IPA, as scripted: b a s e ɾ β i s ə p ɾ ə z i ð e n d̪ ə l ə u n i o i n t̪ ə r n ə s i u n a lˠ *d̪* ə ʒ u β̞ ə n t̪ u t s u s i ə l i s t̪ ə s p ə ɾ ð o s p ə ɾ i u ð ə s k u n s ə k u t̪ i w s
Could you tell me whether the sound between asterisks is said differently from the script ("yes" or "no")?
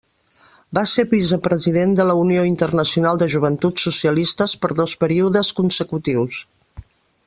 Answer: no